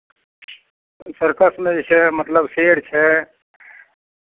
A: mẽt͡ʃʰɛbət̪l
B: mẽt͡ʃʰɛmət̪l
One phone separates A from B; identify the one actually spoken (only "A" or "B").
B